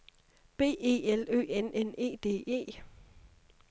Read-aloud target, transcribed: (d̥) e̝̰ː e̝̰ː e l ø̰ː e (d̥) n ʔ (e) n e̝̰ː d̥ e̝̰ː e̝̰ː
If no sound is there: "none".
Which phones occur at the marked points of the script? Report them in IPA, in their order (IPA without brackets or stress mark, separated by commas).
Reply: b̥, none, e